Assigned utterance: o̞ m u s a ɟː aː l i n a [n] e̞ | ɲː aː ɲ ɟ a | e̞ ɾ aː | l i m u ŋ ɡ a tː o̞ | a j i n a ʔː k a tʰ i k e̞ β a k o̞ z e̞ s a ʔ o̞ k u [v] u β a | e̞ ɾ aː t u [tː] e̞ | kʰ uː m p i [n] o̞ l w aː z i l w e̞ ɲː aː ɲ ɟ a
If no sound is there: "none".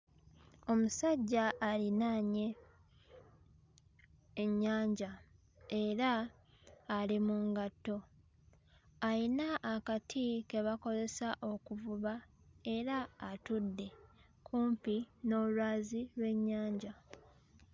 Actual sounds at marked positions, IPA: ɲ, v, dː, n

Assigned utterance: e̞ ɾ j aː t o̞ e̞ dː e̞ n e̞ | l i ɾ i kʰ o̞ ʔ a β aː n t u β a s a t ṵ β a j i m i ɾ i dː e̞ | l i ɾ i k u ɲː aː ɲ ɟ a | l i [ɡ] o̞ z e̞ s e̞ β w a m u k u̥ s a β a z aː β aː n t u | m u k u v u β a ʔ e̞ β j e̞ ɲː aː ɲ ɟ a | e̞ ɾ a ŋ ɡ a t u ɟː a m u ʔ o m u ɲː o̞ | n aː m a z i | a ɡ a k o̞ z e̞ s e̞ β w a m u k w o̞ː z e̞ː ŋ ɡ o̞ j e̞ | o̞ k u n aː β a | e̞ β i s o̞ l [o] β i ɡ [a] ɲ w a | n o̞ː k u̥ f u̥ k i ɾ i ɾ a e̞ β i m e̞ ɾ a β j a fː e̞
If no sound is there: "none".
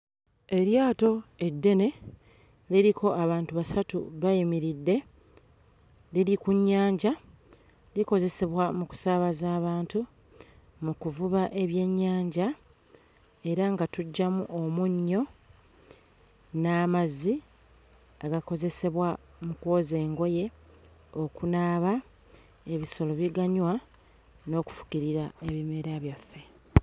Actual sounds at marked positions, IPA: k, o, a

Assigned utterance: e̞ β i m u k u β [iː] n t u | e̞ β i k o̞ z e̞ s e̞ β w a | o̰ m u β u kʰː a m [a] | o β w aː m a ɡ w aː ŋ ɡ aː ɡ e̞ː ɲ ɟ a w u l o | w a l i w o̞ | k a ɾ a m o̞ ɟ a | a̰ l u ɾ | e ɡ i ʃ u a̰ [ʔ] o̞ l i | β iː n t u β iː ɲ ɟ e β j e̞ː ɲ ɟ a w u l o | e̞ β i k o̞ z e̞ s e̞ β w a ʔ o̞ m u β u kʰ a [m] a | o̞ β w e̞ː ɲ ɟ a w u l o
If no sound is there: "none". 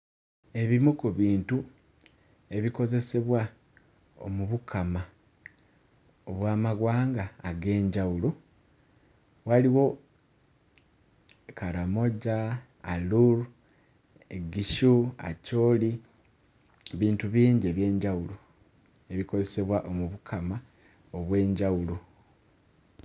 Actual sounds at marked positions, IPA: iː, a, c, m

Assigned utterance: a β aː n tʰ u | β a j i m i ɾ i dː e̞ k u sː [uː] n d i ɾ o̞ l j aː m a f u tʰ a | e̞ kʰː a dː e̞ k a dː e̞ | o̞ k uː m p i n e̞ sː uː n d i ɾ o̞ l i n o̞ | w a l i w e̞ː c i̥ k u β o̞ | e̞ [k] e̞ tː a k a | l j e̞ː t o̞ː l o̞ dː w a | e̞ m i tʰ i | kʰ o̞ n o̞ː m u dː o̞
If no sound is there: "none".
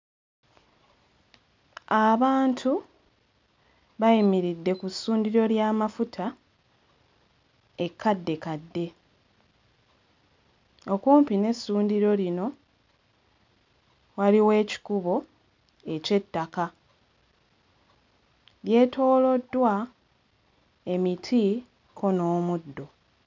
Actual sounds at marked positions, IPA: uː, c

